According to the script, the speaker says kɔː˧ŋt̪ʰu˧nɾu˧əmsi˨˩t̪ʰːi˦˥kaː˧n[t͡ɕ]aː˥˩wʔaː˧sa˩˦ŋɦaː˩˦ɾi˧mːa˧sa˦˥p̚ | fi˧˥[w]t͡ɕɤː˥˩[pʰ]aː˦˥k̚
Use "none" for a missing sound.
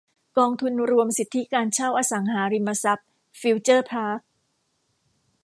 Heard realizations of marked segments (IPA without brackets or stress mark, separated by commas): t͡ɕʰ, w, pʰ